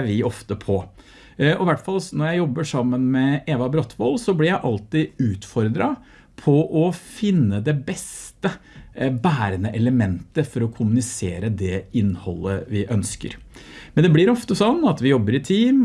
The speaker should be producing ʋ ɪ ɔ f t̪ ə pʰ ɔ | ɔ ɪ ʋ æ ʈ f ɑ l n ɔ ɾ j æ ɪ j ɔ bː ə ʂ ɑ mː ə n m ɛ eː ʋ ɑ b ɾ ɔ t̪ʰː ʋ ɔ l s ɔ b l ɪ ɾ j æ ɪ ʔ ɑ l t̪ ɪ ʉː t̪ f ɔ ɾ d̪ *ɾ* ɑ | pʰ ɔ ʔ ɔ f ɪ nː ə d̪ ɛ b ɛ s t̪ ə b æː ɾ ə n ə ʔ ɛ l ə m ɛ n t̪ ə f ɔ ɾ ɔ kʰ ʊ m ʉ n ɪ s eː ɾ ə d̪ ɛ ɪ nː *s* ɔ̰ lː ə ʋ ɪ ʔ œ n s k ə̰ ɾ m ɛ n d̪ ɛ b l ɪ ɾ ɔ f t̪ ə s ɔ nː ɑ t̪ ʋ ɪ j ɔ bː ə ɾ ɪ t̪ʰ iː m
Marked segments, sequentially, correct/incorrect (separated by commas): correct, incorrect